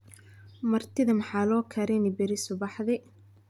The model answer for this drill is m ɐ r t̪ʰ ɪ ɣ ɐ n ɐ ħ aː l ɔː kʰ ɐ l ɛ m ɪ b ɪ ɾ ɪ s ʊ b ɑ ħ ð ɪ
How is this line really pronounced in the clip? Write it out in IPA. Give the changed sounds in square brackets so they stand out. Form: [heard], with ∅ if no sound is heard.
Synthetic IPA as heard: m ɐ r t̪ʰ ɪ [ð] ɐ [m] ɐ ħ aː l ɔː kʰ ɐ [ɾ] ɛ [n] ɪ b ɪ ɾ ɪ s ʊ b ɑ ħ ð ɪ